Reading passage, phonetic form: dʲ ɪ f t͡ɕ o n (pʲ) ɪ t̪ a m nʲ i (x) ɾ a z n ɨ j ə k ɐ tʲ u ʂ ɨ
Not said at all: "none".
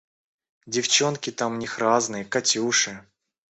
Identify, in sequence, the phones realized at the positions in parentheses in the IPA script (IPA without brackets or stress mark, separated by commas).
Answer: kʲ, x